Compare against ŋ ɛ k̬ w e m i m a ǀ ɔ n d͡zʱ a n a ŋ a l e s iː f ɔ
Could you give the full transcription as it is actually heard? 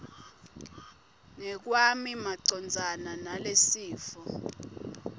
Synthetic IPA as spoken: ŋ ɛ k̬ w a m i m a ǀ ɔ n d͡zʱ a n a n a l e s iː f ɔ